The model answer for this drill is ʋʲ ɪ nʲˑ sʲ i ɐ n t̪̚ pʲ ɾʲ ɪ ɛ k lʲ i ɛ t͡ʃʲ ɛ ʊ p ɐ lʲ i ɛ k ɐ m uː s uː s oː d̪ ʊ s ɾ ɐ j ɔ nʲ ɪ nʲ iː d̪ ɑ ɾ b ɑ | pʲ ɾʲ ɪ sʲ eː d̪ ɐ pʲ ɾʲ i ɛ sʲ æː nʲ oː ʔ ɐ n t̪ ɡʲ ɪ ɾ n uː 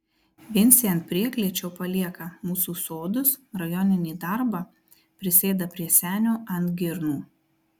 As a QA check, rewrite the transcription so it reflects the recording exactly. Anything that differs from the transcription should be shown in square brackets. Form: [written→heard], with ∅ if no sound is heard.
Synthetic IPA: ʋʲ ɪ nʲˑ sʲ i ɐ n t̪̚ pʲ ɾʲ [ɪ→i] ɛ k lʲ i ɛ t͡ʃʲ ɛ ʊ p ɐ lʲ i ɛ k ɐ m uː s uː s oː d̪ ʊ s ɾ ɐ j ɔ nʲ ɪ nʲ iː d̪ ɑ ɾ b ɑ | pʲ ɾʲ ɪ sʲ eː d̪ ɐ pʲ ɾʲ i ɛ sʲ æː nʲ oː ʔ ɐ n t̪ ɡʲ ɪ ɾ n uː